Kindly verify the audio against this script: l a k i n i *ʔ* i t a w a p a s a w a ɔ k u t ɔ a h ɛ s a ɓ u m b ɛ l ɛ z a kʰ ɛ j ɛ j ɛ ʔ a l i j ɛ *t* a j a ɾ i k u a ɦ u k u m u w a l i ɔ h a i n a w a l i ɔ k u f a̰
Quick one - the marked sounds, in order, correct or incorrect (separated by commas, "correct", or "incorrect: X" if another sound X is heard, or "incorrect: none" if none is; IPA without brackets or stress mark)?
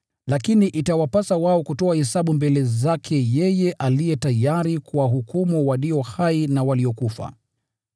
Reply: correct, correct